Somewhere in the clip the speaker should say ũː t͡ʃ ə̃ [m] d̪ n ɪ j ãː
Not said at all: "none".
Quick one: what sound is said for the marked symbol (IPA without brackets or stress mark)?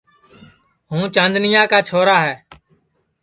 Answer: n